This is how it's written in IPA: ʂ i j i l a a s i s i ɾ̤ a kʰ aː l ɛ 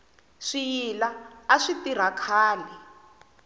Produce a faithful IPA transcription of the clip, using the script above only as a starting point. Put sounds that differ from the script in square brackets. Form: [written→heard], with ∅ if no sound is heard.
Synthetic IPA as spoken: ʂ i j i l a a [s→ʂ] i [s→t] i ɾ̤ a kʰ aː l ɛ

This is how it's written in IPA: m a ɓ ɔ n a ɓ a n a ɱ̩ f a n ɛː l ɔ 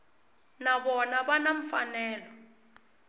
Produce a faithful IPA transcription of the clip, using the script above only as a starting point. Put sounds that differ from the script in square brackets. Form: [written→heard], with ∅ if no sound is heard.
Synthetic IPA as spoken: [m→n] a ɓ ɔ n a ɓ a n a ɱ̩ f a n ɛː l ɔ

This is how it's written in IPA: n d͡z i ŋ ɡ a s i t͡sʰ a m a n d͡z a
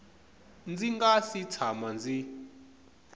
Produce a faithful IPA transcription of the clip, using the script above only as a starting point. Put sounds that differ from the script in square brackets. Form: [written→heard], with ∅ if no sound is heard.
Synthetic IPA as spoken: n d͡z i ŋ ɡ a s i t͡sʰ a m a n d͡z [a→i]

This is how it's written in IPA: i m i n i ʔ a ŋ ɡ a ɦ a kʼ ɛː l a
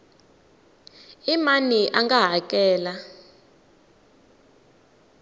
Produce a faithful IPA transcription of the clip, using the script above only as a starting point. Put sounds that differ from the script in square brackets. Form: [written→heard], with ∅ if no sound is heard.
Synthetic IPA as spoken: i m [i→a] n i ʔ a ŋ ɡ a ɦ a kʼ ɛː l a

